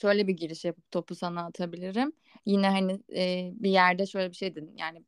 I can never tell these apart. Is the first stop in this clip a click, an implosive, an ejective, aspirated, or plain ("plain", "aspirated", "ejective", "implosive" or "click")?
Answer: plain